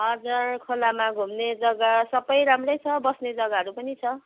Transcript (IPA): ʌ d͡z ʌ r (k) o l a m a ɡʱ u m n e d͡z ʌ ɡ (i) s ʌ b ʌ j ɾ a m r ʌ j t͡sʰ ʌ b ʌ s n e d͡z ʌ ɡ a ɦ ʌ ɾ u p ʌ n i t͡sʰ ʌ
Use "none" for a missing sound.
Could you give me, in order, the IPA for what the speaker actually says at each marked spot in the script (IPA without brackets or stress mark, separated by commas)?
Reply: kʰ, a